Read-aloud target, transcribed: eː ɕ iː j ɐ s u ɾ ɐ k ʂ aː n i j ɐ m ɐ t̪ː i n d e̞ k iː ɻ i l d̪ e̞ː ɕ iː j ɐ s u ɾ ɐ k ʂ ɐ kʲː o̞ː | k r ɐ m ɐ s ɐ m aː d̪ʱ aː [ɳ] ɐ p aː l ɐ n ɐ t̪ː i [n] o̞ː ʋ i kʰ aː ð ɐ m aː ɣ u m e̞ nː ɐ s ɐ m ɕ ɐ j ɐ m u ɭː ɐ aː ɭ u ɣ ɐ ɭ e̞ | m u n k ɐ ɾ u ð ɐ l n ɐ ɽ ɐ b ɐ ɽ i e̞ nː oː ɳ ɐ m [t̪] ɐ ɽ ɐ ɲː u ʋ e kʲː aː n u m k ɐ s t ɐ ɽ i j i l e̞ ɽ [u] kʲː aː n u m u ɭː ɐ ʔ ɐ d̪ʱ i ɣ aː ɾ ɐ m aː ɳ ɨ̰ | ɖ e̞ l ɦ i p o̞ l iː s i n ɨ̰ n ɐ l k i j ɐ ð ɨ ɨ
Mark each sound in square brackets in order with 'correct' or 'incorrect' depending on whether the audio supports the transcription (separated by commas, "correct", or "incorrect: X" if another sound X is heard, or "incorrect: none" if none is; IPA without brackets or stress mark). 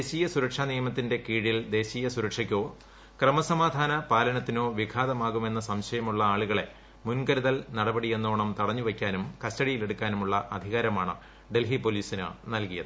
incorrect: n, correct, correct, correct